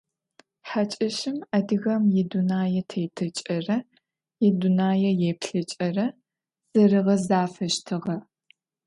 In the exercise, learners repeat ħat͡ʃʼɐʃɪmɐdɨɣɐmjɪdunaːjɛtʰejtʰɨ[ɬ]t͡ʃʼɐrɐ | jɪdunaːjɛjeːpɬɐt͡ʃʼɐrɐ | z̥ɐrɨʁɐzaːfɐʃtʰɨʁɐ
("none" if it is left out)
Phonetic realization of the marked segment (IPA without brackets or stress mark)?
none